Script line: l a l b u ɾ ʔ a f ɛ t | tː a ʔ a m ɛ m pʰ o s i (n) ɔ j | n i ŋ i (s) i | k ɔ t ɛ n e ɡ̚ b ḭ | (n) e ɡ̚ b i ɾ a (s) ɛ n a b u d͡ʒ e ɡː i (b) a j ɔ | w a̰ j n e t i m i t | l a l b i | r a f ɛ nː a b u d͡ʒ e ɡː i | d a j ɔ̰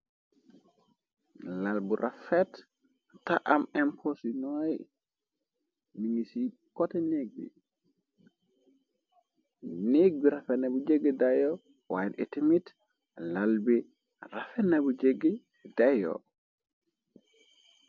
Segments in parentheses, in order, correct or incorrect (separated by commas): correct, correct, correct, incorrect, incorrect